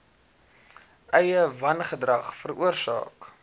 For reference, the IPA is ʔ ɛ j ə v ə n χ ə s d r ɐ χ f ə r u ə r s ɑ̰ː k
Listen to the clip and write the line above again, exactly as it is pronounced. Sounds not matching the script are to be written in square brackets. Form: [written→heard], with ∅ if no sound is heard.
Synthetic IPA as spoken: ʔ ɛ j ə v [ə→ɐ] n χ ə [s→∅] d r ɐ χ f ə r u ə r s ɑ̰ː k